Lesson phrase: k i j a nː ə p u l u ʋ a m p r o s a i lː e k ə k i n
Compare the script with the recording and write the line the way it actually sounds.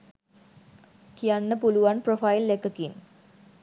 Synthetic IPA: k i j a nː ə p u l u ʋ a n p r o f a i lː e k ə k i n